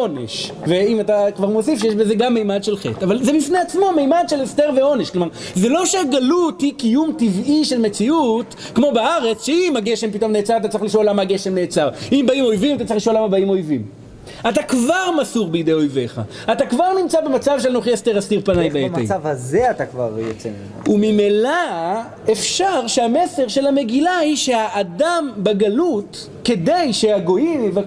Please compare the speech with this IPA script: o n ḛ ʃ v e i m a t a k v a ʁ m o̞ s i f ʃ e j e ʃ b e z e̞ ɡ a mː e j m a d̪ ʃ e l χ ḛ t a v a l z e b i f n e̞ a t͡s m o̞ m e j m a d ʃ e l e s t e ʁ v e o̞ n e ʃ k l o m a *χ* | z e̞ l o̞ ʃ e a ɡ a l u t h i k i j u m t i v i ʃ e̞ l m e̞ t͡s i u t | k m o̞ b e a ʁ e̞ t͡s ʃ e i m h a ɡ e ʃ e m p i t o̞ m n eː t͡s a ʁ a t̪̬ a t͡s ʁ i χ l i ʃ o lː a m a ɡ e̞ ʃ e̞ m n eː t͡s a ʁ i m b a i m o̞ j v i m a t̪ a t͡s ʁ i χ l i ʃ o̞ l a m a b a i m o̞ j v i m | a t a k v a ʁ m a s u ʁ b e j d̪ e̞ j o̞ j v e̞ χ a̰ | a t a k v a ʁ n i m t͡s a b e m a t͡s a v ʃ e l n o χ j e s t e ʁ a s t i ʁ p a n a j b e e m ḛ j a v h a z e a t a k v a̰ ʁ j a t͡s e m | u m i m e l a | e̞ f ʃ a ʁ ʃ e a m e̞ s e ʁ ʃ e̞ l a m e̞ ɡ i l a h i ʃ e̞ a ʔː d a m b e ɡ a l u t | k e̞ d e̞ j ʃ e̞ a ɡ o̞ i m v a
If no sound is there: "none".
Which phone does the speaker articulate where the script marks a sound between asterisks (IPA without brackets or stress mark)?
ʁ